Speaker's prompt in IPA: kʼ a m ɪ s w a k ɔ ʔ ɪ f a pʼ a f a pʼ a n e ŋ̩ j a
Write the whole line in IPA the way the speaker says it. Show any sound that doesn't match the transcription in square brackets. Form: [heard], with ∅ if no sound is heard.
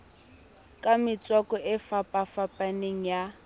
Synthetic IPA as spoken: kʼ a m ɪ [t͡s] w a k ɔ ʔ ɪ f a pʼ a f a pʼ a n e ŋ̩ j a